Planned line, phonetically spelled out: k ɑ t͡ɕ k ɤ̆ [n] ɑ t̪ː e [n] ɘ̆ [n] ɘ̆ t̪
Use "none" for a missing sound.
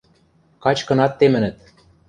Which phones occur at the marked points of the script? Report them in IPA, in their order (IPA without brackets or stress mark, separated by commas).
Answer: n, m, n